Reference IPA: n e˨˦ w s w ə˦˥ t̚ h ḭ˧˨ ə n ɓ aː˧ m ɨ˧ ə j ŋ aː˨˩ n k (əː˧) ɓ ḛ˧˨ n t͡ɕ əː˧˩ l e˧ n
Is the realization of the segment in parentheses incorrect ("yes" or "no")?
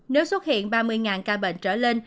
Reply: yes